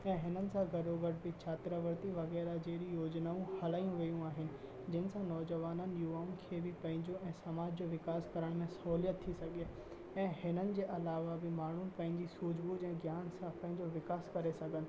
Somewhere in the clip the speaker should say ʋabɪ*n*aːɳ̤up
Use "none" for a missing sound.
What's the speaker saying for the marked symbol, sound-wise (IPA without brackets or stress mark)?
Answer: m